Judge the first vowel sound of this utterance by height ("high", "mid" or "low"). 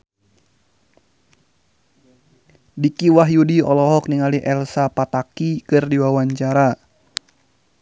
high